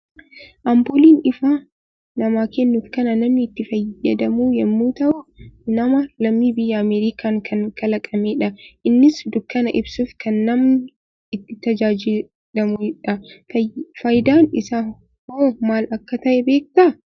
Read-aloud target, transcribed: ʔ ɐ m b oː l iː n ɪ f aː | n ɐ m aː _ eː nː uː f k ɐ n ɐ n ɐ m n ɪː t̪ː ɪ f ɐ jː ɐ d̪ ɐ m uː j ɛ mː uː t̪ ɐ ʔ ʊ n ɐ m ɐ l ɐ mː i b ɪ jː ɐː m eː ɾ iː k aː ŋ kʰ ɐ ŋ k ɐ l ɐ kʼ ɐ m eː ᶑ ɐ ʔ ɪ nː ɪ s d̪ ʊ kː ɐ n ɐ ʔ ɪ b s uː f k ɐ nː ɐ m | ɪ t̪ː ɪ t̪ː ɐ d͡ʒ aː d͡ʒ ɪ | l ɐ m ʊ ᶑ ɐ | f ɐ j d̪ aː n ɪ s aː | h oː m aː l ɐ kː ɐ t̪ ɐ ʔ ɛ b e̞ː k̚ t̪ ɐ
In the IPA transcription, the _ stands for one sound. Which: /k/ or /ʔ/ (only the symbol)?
k